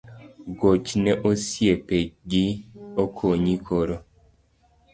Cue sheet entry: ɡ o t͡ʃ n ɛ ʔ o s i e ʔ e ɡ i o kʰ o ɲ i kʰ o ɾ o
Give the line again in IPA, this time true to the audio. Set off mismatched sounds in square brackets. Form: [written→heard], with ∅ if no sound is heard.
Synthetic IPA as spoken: ɡ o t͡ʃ n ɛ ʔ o s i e [ʔ→p] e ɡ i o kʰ o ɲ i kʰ o ɾ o